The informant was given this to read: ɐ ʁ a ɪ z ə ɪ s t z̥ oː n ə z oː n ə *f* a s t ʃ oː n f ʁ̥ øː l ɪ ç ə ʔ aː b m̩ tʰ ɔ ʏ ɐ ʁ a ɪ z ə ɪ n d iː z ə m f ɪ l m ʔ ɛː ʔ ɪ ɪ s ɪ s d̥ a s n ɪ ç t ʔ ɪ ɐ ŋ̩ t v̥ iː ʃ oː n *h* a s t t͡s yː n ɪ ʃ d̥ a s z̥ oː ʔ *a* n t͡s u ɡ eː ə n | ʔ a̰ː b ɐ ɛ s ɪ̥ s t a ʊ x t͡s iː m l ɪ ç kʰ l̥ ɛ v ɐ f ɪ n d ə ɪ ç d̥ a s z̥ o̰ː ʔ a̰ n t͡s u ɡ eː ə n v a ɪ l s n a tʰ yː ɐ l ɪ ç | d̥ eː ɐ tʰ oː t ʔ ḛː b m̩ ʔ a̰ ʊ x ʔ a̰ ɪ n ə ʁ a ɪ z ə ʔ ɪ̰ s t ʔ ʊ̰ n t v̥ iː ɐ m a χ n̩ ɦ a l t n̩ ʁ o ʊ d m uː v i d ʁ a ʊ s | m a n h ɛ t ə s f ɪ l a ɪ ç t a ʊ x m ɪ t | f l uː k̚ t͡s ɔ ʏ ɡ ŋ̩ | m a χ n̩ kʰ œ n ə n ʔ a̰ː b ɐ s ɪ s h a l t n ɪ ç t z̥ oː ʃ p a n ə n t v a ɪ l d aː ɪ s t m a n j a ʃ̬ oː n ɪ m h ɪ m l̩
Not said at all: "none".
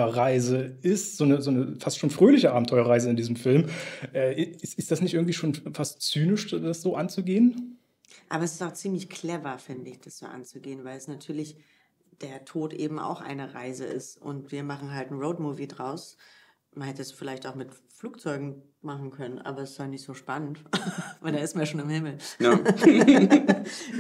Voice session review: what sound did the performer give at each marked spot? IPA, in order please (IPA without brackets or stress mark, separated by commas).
f, f, a